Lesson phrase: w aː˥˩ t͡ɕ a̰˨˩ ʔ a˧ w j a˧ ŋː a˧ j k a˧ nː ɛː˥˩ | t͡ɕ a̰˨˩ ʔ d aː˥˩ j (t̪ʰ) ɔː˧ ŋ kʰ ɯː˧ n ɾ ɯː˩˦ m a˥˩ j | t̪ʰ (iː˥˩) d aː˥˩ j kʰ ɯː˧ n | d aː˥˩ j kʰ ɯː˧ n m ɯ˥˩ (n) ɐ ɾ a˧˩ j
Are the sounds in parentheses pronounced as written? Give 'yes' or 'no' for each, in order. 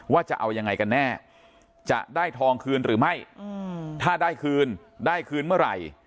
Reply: yes, no, no

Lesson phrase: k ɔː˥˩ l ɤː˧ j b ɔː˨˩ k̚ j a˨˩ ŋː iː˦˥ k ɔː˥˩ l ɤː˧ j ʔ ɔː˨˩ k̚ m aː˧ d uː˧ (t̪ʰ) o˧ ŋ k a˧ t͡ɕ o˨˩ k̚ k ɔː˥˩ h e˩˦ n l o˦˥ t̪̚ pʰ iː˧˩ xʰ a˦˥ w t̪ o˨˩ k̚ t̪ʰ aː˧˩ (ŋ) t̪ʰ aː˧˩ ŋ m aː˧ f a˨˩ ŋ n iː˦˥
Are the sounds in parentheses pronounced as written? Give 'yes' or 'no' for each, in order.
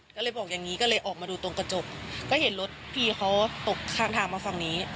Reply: no, yes

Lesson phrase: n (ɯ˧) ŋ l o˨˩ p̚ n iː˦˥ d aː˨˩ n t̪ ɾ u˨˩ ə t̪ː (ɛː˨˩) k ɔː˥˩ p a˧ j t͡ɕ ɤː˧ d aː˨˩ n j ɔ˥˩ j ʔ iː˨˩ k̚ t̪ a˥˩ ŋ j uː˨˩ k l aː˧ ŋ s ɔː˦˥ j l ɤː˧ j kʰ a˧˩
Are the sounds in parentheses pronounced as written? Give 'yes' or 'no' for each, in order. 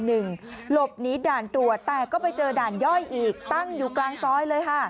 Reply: no, yes

